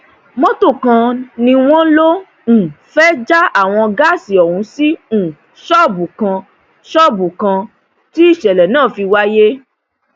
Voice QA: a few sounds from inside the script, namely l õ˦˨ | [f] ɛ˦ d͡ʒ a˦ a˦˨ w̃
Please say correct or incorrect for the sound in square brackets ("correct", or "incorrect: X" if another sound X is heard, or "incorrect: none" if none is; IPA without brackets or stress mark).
correct